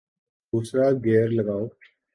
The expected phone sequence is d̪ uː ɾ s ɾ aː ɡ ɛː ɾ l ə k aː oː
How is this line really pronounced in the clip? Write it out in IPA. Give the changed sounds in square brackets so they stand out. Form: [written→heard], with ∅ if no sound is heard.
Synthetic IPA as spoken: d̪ uː [ɾ→∅] s ɾ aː ɡ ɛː ɾ l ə [k→ɡ] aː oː